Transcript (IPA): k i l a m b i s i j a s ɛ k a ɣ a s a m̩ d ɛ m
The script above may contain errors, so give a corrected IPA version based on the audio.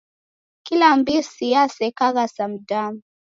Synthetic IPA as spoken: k i l a m b i s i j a s ɛ k a ɣ a s a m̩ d a m